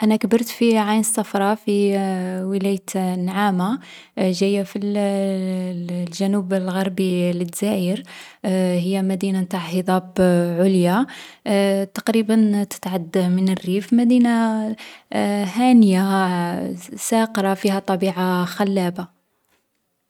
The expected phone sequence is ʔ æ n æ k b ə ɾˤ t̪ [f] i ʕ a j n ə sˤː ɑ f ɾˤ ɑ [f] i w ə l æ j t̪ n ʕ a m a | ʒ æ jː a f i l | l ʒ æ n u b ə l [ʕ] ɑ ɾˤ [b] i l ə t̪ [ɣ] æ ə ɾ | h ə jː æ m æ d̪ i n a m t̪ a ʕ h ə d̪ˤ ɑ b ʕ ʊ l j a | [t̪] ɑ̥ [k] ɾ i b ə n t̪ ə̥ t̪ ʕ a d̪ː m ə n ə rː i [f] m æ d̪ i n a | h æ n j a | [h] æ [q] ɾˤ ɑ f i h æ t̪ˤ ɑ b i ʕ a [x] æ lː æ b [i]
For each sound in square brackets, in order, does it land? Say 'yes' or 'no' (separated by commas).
yes, yes, no, yes, no, yes, no, yes, no, yes, yes, no